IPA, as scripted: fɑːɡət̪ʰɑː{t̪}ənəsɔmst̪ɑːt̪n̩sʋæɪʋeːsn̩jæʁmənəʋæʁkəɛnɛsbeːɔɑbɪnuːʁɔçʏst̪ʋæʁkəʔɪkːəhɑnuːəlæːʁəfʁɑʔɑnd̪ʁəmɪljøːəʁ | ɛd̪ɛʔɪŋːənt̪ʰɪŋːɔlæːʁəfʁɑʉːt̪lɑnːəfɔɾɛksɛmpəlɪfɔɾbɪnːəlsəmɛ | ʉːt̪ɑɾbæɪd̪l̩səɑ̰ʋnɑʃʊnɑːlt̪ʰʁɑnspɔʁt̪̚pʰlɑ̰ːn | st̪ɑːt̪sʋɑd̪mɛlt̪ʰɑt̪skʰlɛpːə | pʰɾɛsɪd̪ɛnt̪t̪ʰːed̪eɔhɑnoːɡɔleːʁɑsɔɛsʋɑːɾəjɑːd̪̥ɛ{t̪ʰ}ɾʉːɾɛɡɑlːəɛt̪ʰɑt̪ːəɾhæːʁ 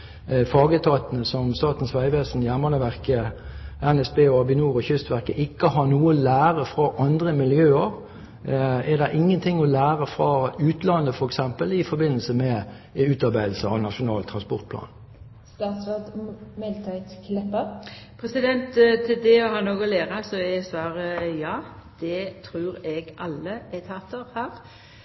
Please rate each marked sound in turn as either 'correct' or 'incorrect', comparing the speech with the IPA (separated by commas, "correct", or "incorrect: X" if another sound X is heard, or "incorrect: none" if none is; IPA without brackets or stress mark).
correct, correct